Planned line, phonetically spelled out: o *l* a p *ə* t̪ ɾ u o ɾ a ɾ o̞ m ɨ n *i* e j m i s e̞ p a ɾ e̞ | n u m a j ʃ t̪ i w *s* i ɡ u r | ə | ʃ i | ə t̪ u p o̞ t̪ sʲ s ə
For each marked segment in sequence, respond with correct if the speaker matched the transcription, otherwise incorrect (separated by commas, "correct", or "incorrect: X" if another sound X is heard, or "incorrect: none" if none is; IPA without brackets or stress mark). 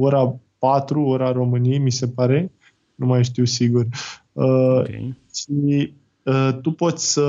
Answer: incorrect: ɾ, incorrect: a, correct, correct